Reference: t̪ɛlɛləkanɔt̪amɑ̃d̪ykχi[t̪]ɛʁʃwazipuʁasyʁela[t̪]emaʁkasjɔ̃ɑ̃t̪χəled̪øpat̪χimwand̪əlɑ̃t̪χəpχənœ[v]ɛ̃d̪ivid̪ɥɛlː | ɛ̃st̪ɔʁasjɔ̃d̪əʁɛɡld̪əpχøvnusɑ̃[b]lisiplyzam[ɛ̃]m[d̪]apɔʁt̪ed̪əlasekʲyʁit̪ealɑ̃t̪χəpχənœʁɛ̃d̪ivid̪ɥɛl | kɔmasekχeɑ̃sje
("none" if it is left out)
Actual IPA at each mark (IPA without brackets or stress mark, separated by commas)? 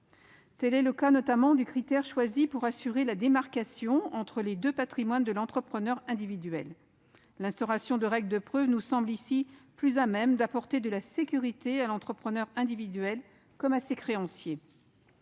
t̪, d̪, ʁ, b, ɛ, d̪